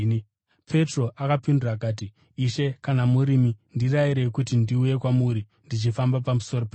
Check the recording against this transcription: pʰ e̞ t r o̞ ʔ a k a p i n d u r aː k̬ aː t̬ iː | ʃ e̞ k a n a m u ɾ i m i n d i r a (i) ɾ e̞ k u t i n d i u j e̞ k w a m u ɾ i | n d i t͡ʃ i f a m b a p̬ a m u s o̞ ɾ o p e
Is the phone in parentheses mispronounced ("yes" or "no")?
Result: no